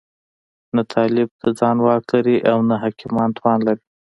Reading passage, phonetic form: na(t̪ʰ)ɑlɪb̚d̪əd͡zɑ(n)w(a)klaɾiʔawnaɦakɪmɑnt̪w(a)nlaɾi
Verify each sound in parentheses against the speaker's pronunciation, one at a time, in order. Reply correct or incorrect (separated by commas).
correct, correct, incorrect, incorrect